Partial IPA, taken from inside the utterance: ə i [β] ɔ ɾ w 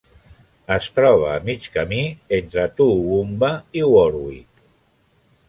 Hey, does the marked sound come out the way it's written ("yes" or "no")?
no